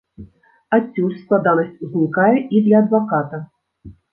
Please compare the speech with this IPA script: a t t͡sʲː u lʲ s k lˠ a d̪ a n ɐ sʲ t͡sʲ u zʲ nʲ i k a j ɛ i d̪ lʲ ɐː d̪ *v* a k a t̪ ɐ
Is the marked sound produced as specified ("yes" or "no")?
yes